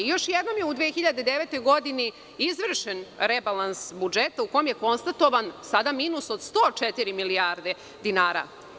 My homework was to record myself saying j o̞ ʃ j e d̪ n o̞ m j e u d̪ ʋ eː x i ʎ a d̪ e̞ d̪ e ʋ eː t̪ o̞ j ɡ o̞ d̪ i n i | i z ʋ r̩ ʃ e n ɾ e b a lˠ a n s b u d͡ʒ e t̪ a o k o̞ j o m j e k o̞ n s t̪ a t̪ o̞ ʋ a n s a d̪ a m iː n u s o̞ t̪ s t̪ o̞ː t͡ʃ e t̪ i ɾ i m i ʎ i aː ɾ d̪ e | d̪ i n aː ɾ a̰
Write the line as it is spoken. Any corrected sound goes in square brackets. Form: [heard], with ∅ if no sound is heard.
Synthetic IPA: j o̞ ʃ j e d̪ n o̞ m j e u d̪ ʋ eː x i ʎ a d̪ e̞ d̪ e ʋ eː t̪ o̞ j ɡ o̞ d̪ i n i | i z ʋ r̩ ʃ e n ɾ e b a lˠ a n s b u d͡ʒ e t̪ a [u] k o̞ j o m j e k o̞ n s t̪ a t̪ o̞ ʋ a n s a d̪ a m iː n u s o̞ [d̪] s t̪ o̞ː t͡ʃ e t̪ i ɾ i m i [l] i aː ɾ d̪ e | d̪ i n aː ɾ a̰